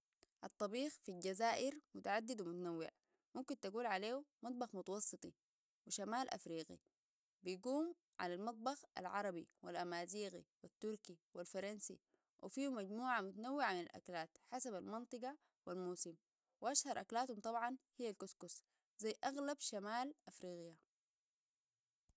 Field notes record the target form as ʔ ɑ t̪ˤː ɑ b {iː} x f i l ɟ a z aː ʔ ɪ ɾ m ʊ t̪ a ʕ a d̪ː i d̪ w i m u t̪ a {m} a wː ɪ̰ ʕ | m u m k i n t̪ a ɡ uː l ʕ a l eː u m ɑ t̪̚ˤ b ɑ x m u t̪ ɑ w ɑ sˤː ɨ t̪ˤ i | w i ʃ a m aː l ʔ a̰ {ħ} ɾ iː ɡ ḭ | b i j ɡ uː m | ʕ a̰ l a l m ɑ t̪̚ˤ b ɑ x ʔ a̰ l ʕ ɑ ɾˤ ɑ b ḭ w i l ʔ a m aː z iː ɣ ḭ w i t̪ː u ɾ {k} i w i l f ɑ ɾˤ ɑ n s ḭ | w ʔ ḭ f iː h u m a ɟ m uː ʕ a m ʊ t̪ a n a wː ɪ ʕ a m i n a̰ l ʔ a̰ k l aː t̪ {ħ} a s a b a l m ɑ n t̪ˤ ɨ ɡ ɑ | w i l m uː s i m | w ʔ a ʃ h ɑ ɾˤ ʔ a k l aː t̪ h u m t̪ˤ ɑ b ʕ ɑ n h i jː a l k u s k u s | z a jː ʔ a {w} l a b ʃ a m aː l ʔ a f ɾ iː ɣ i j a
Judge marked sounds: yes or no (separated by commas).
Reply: yes, no, no, yes, yes, no